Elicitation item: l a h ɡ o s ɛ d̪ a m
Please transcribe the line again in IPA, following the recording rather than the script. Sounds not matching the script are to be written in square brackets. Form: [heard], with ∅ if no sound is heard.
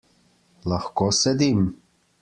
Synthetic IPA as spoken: l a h [k] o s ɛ d̪ [i] m